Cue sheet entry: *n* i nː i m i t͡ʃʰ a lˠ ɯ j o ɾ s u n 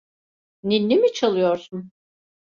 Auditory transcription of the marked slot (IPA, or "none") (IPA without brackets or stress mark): n